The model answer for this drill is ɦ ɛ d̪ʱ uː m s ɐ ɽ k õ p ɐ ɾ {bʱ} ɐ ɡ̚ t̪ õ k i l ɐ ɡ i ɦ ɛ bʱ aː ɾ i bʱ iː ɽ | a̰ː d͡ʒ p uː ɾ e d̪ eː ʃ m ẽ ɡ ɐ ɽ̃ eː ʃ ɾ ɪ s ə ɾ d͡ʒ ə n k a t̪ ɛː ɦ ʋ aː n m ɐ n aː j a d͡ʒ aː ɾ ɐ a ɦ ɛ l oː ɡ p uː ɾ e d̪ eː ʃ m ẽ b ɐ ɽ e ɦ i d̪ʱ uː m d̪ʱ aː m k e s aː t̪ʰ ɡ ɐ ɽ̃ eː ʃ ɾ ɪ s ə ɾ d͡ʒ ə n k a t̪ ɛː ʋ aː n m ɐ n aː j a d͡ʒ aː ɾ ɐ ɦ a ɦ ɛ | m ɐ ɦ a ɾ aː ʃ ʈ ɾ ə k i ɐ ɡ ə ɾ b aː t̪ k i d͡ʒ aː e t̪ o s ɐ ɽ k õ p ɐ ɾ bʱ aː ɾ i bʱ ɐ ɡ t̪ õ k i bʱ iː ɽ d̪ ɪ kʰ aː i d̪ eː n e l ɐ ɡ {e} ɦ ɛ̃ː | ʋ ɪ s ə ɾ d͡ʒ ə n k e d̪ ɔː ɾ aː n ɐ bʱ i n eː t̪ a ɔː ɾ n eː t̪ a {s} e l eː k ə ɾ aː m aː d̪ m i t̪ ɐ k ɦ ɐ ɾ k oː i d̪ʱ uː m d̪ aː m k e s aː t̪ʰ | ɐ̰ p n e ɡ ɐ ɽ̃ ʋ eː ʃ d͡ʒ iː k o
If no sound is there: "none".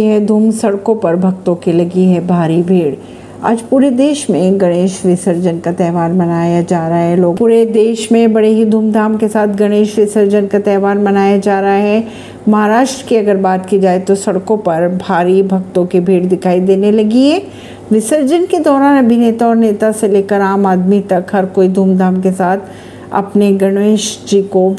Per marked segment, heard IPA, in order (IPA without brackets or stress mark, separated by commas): bʱ, i, s